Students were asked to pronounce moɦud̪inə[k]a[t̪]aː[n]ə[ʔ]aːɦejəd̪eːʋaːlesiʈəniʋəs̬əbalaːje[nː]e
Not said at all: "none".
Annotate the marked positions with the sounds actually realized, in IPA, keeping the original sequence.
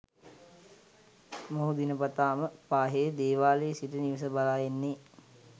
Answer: p, t̪, m, p, nː

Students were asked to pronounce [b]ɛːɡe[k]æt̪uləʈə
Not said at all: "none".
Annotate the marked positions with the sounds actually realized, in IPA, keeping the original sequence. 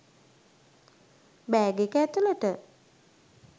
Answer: b, k

